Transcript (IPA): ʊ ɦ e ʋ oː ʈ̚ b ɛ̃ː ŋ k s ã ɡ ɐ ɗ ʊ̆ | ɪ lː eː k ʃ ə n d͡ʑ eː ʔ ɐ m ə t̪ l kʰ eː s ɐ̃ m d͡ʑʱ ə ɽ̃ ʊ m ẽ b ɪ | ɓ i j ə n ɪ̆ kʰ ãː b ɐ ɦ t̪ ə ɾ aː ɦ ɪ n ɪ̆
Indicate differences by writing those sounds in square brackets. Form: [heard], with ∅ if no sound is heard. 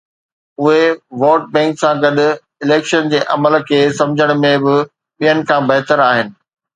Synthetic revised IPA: ʊ ɦ e ʋ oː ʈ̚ b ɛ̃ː ŋ k s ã ɡ ɐ ɗ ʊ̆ | ɪ [l] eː k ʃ ə n d͡ʑ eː ʔ ɐ m ə [∅] l kʰ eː s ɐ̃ m d͡ʑʱ ə ɽ̃ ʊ m ẽ b ɪ | ɓ i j ə n ɪ̆ kʰ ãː b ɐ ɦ t̪ ə ɾ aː ɦ ɪ n ɪ̆